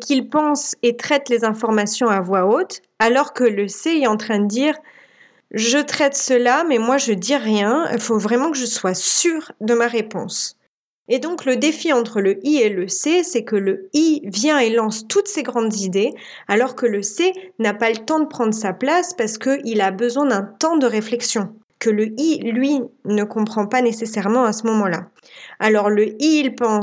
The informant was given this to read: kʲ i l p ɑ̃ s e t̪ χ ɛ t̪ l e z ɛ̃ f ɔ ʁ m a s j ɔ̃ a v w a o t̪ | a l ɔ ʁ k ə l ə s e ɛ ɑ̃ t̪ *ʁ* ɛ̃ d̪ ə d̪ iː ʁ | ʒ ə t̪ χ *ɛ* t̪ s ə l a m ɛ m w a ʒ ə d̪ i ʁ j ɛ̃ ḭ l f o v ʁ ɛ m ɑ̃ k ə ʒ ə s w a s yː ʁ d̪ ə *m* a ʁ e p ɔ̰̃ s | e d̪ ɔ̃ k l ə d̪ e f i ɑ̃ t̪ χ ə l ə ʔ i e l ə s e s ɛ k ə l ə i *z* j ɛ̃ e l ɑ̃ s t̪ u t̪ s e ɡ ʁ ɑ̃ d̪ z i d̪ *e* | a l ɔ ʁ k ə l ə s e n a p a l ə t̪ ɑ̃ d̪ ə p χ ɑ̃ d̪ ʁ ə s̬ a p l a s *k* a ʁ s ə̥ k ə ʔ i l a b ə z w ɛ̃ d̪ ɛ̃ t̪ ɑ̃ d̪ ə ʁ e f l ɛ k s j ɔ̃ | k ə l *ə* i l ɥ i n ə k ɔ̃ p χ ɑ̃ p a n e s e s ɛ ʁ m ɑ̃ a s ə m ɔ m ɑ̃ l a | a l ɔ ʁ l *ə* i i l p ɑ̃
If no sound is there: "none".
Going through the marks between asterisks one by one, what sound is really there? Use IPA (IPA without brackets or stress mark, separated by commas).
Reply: χ, ɛ, m, v, e, p, ə, ə